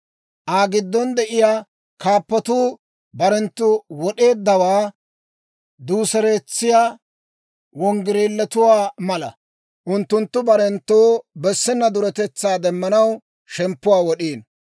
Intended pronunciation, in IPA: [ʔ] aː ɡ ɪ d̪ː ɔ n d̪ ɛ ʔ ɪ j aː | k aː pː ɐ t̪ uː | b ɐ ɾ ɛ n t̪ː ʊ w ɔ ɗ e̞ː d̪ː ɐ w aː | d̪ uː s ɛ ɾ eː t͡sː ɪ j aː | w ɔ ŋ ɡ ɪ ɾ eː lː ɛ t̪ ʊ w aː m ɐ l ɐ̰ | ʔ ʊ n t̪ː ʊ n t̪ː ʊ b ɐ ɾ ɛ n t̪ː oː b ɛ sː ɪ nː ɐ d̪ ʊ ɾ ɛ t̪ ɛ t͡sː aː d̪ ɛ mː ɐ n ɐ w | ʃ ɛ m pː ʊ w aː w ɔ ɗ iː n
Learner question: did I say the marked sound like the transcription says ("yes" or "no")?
yes